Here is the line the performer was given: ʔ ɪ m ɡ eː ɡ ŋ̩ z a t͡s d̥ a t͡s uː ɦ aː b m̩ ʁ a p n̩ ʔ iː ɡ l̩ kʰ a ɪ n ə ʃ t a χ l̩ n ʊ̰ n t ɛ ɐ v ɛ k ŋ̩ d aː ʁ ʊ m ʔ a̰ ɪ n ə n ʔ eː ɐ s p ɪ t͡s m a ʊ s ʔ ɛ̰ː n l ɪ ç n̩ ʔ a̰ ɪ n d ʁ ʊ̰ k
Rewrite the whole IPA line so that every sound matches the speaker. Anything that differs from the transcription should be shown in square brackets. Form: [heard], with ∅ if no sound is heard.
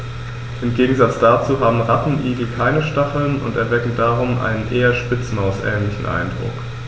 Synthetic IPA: ʔ ɪ m ɡ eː ɡ ŋ̩ z a t͡s d̥ a t͡s uː ɦ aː b m̩ ʁ a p n̩ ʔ iː ɡ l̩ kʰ a ɪ n ə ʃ t a χ l̩ n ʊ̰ n t ɛ ɐ v ɛ k ŋ̩ d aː ʁ ʊ m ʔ a̰ ɪ n ə n ʔ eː ɐ [ʃ] p ɪ t͡s m a ʊ s ʔ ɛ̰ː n l ɪ ç n̩ ʔ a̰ ɪ n d ʁ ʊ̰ k